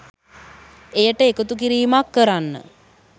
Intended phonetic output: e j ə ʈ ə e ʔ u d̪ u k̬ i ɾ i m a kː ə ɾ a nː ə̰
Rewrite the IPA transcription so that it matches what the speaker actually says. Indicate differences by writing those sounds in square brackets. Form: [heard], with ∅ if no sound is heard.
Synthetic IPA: e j ə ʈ ə e [k] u [t̪] u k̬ i ɾ [iː] m a kː ə ɾ a nː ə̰